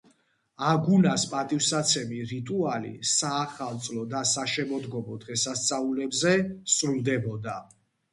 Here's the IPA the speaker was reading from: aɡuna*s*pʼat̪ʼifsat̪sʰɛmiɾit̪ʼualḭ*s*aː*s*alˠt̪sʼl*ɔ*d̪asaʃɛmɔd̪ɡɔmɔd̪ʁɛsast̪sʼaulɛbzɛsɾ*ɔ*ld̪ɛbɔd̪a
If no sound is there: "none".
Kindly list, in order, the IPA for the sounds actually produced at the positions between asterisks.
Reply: s, s, χ, ɔ, u

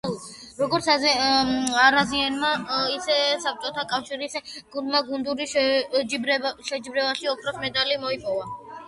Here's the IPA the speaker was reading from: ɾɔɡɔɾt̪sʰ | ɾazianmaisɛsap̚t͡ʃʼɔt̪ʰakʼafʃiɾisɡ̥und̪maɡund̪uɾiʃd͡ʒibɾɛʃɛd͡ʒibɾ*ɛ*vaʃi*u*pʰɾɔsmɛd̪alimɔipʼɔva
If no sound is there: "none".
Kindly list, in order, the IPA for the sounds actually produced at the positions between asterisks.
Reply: ɛ, ɔ

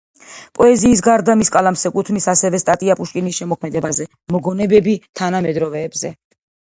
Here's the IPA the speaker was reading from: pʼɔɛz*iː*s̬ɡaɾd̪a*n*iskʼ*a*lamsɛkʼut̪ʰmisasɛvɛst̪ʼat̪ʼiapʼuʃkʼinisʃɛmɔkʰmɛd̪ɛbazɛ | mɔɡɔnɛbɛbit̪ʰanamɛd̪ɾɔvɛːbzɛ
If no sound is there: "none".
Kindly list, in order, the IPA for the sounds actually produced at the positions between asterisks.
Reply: iː, m, a

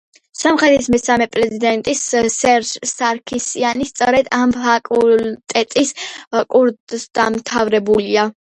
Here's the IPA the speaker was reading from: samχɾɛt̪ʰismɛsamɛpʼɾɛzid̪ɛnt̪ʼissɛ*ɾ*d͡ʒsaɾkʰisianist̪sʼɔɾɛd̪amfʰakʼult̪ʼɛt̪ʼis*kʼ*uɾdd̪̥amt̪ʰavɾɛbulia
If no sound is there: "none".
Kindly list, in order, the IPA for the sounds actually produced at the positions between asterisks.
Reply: ɾ, kʼ

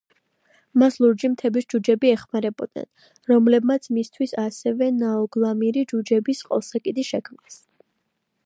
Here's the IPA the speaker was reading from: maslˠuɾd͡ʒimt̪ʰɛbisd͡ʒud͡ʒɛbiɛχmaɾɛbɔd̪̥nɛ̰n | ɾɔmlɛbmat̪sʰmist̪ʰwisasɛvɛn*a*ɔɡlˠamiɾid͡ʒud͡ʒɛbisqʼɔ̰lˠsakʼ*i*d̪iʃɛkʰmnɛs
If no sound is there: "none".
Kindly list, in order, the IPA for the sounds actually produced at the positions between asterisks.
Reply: a, i

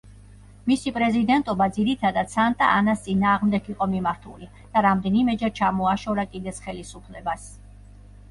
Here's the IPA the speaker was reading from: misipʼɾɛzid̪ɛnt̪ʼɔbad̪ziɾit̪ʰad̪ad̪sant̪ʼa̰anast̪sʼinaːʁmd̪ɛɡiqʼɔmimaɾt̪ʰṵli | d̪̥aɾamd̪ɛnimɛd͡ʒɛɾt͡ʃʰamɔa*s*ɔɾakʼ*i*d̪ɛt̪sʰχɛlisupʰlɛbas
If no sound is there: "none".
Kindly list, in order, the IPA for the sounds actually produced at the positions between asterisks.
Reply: ʃ, i

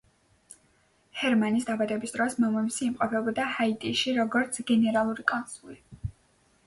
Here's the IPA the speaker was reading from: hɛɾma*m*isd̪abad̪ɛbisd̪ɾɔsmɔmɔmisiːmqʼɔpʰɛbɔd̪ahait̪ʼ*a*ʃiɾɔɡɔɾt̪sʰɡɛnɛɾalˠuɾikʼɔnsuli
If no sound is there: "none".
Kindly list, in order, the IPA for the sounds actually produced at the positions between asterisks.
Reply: n, i

